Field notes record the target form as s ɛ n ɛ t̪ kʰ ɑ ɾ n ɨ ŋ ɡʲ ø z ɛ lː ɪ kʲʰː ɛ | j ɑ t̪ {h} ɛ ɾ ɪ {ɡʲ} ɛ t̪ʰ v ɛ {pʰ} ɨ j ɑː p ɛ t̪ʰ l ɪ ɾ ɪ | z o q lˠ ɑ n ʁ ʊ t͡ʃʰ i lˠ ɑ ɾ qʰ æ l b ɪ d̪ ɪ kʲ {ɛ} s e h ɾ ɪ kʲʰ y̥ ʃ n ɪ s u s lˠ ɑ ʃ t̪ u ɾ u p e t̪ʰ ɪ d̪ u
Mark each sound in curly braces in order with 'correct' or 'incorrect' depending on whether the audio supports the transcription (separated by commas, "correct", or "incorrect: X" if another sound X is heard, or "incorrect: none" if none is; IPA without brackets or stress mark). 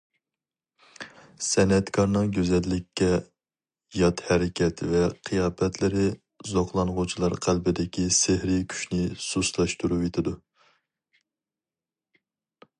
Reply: correct, incorrect: kʲ, incorrect: qʰ, incorrect: i